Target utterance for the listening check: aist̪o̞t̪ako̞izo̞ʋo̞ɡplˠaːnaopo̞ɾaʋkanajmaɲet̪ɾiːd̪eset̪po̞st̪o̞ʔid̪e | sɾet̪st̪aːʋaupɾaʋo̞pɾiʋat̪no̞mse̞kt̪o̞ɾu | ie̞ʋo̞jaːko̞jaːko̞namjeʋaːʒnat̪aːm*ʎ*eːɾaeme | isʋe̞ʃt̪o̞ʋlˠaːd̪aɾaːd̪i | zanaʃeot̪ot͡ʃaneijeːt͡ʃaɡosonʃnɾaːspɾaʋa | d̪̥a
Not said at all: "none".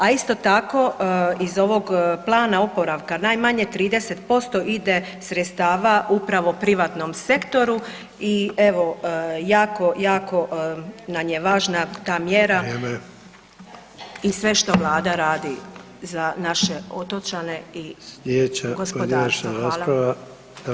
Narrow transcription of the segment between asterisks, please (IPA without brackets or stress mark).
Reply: j